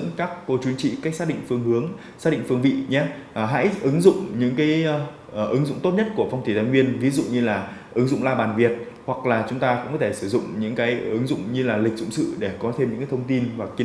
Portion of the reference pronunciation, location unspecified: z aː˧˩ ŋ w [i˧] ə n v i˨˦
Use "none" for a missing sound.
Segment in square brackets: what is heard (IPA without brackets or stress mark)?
i˧